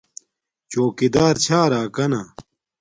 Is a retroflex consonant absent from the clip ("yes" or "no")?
yes